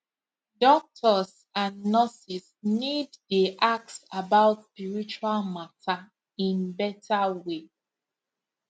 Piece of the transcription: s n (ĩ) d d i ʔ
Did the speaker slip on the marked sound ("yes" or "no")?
yes